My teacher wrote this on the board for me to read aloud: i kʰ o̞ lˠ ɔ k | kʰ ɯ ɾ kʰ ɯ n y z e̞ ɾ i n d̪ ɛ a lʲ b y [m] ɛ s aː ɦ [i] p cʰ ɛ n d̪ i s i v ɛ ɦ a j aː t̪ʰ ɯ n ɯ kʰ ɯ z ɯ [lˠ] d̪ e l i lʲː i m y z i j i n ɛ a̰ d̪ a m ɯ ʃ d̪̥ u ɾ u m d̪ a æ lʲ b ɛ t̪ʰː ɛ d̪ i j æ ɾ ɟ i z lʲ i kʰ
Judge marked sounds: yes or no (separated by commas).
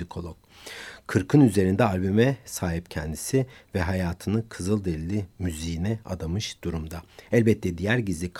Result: yes, yes, yes